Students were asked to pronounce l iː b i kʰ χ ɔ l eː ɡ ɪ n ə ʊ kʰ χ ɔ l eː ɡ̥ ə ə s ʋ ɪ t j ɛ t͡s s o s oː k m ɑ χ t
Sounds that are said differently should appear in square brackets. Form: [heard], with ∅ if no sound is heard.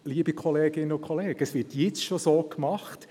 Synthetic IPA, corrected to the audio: l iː b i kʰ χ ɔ l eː ɡ ɪ n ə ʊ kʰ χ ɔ l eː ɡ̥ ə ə s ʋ ɪ t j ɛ t͡s [ʃ] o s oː k m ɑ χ t